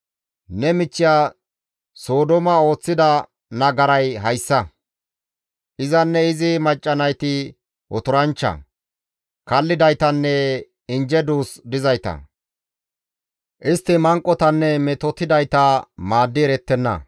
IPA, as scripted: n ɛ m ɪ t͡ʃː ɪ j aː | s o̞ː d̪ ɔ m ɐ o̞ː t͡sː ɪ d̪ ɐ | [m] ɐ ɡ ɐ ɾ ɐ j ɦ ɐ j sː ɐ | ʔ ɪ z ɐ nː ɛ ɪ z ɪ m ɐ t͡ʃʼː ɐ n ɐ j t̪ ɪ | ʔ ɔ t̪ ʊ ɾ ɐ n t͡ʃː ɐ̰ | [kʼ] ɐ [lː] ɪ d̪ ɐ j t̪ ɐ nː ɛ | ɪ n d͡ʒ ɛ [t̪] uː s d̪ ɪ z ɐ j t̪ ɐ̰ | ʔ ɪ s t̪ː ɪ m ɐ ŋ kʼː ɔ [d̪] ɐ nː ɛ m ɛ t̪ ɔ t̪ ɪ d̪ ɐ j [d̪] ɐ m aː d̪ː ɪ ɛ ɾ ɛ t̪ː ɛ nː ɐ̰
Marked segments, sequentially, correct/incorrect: incorrect: n, incorrect: k, correct, incorrect: d̪, incorrect: t̪, incorrect: t̪

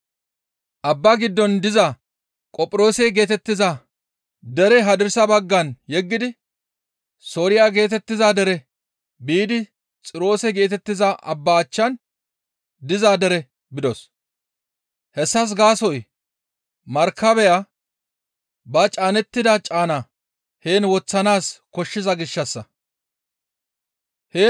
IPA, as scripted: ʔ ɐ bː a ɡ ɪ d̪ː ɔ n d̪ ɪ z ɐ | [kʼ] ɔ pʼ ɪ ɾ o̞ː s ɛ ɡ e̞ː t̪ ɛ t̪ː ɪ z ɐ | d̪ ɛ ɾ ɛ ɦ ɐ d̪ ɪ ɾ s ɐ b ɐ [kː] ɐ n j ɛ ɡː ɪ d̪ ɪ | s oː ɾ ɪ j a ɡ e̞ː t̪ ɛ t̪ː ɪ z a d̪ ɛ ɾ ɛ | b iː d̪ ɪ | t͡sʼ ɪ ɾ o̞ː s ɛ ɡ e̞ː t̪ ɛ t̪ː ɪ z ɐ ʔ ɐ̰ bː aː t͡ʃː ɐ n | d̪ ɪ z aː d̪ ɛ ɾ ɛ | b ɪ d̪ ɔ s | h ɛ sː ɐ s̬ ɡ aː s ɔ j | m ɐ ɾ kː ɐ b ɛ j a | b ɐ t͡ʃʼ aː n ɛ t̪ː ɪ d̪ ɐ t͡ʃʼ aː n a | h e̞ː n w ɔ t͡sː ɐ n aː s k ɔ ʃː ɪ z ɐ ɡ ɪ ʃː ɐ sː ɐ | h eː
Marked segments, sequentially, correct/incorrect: correct, incorrect: ɡː

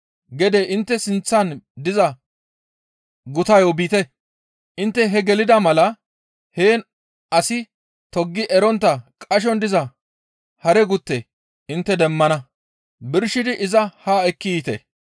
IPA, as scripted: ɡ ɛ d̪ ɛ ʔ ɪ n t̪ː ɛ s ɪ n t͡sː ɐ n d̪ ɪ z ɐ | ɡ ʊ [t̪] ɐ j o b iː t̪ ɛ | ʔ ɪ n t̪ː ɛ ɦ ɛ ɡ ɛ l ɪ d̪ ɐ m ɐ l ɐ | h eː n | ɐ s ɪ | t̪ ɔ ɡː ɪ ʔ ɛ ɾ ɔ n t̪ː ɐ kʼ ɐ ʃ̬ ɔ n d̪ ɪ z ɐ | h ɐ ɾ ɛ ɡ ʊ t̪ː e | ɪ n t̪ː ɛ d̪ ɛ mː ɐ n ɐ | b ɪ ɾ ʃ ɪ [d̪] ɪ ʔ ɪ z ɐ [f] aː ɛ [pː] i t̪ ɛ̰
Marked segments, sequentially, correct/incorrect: correct, correct, incorrect: h, incorrect: kː

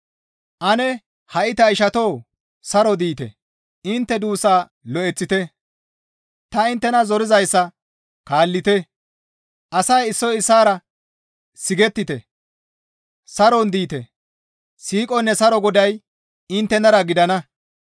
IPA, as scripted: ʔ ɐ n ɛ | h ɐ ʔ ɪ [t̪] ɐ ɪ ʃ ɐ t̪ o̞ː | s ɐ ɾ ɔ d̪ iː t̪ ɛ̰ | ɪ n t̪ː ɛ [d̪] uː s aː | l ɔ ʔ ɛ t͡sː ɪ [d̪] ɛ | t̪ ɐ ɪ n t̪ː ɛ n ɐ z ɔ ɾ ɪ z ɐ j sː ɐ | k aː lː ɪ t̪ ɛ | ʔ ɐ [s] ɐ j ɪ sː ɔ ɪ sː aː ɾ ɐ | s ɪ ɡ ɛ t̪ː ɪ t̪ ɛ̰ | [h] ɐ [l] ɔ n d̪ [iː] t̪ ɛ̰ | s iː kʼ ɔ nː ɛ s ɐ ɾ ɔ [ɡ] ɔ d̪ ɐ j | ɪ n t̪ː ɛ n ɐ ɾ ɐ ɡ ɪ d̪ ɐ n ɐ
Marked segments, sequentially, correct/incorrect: correct, correct, incorrect: t̪, correct, incorrect: s, incorrect: ɾ, correct, correct

